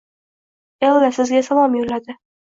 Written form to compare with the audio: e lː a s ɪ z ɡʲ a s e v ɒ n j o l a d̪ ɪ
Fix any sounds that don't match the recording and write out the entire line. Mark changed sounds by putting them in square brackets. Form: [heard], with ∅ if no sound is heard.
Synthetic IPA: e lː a s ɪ z ɡʲ a s [a] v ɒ [m] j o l a d̪ ɪ